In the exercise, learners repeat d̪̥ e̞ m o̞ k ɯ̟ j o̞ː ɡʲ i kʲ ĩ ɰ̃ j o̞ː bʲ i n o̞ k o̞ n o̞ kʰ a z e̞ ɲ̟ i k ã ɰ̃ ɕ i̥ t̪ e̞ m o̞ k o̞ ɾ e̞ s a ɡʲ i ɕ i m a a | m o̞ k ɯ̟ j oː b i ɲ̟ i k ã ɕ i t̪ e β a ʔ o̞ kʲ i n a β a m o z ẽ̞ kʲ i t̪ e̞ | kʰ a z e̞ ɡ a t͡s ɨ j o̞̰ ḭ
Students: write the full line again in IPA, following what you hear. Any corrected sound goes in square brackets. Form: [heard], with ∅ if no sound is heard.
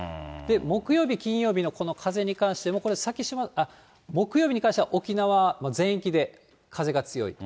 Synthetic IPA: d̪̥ e̞ m o̞ k ɯ̟ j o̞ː [bʲ] i kʲ ĩ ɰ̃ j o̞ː bʲ i n o̞ k o̞ n o̞ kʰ a z e̞ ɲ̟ i k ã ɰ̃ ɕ i̥ t̪ e̞ m o̞ k o̞ ɾ e̞ s a [kʲ] i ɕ i m a a | m o̞ k ɯ̟ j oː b i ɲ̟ i k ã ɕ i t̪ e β a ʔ o̞ kʲ i n a β a m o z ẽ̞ kʲ i [d̪] e̞ | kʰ a z e̞ ɡ a t͡s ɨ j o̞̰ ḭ